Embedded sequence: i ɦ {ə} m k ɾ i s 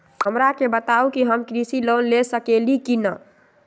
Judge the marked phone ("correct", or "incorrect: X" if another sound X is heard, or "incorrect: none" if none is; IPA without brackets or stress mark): correct